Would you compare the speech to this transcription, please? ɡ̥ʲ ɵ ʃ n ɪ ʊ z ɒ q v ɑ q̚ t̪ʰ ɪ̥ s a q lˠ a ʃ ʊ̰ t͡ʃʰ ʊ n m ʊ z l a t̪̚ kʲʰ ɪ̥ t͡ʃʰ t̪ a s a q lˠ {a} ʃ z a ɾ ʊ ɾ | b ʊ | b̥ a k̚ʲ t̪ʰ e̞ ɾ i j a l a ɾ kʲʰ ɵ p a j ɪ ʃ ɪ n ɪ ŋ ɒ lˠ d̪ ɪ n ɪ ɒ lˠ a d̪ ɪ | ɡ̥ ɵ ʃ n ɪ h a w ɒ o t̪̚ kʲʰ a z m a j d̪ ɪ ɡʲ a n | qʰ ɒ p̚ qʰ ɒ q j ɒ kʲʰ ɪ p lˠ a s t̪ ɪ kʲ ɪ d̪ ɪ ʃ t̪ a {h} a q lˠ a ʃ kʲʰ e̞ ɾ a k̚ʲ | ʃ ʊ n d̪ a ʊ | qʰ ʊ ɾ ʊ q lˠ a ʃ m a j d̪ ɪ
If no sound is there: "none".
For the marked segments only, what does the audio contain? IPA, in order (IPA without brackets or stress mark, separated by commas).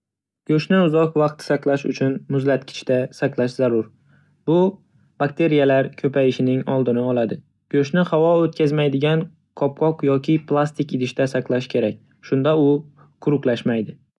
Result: a, s